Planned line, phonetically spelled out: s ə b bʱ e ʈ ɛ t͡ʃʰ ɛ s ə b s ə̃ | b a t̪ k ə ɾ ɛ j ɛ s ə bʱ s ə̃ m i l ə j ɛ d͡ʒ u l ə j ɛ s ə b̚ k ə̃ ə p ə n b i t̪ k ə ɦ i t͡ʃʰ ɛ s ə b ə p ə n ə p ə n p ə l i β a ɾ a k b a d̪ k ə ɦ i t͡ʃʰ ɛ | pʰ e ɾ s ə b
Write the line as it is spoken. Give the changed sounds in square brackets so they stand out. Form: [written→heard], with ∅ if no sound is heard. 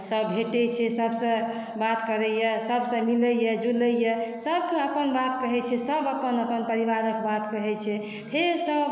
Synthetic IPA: s ə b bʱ e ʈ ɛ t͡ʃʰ ɛ s ə b s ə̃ | b a t̪ k ə ɾ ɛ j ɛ s ə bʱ s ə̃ m i l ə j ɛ d͡ʒ u l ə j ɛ s ə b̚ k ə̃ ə p ə n b [i→a] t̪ k ə ɦ [i→ɛ] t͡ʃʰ ɛ s ə b ə p ə n ə p ə n p ə [l→ɾ] i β a ɾ [a→ə] k b a [d̪→t̪] k ə ɦ [i→ɛ] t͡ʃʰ ɛ | pʰ e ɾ s ə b

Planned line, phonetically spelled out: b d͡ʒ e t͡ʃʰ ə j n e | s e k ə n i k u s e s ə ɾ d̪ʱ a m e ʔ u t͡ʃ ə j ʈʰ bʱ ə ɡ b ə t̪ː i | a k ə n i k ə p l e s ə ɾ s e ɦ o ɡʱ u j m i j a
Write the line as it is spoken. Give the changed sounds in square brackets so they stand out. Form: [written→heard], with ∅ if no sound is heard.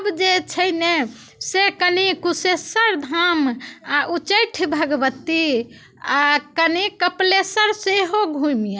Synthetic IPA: b d͡ʒ e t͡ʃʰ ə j n e | s e k ə n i k u s e s ə ɾ d̪ʱ a m [e→a] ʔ u t͡ʃ ə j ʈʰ bʱ ə ɡ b ə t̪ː i | a k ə n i k ə p l e s ə ɾ s e ɦ o ɡʱ u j m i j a

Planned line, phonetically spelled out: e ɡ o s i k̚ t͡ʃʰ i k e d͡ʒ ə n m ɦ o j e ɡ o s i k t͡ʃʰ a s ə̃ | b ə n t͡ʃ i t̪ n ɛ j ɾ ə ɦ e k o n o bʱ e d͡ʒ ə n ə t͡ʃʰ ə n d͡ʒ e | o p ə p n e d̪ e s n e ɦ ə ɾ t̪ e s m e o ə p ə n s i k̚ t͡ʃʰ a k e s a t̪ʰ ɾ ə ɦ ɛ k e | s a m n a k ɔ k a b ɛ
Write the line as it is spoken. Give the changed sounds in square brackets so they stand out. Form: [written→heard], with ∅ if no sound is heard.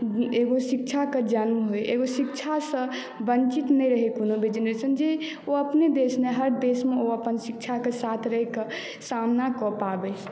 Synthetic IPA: e ɡ o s i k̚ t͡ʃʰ [i→a] k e d͡ʒ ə n m ɦ o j e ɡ o s i k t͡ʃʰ a s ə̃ | b ə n t͡ʃ i t̪ n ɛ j ɾ ə ɦ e k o n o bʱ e d͡ʒ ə n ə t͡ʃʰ ə n d͡ʒ e | o [p→∅] ə p n e d̪ e s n e ɦ ə ɾ [t̪→d̪] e s m e o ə p ə n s i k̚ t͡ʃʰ a k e s a t̪ʰ ɾ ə ɦ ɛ k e | s a m n a k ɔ [k→p] a b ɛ

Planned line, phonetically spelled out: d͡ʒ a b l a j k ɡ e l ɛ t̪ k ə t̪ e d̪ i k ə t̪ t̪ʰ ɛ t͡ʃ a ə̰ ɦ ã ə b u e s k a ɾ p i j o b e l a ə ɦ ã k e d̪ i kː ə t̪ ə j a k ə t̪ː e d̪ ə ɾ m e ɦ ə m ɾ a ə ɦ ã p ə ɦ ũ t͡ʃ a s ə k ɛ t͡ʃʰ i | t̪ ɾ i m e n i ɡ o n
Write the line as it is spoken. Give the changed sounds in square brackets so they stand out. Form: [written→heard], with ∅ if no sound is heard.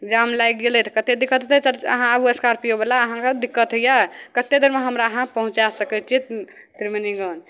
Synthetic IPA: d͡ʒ a [b→m] l a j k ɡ e l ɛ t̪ k ə t̪ e d̪ i k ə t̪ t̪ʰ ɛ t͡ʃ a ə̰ ɦ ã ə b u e s k a ɾ p i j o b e l a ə ɦ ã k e d̪ i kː ə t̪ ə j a k ə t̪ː e d̪ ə ɾ m e ɦ ə m ɾ a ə ɦ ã p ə ɦ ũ t͡ʃ a s ə k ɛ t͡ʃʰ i | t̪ ɾ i m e n i ɡ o n

